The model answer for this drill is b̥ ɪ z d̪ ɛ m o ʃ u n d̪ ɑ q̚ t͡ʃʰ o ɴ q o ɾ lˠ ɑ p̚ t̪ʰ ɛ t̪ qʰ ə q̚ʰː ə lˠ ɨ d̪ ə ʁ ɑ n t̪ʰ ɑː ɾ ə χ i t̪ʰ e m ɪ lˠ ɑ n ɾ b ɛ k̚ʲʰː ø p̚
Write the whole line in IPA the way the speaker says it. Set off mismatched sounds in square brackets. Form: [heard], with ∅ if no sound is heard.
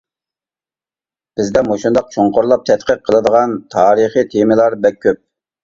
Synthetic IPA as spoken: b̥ ɪ z d̪ ɛ m o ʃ u n d̪ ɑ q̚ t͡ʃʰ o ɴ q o ɾ lˠ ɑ p̚ t̪ʰ ɛ t̪ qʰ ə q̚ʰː ə lˠ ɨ d̪ ə ʁ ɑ n t̪ʰ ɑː ɾ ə χ i t̪ʰ e m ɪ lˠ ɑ [∅] ɾ b ɛ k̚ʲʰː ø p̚

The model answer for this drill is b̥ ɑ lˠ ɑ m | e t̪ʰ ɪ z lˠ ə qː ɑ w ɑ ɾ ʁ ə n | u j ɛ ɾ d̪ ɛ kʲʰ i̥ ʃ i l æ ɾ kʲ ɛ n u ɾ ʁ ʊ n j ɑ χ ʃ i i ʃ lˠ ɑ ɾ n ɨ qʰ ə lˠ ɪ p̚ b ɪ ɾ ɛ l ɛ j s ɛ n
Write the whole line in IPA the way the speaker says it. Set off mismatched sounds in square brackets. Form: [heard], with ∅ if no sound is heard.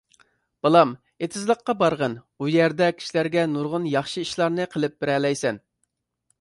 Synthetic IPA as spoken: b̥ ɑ lˠ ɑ m | e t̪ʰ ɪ z lˠ ə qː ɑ [b] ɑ ɾ ʁ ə n | u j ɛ ɾ d̪ ɛ kʲʰ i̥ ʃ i l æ ɾ [ɡʲ] ɛ n u ɾ ʁ ʊ n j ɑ χ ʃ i i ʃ lˠ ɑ ɾ n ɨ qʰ ə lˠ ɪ p̚ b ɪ ɾ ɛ l ɛ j s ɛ n

